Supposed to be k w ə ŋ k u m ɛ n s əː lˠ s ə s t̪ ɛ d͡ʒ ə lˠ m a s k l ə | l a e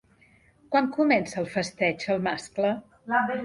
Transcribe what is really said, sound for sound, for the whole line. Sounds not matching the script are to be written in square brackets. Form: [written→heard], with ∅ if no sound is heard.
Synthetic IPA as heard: k w [ə→a] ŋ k u m ɛ n s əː lˠ [s→f] ə s t̪ ɛ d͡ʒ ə lˠ m a s k l ə | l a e